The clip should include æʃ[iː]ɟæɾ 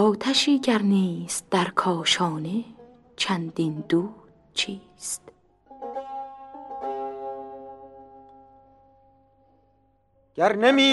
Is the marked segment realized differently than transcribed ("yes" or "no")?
no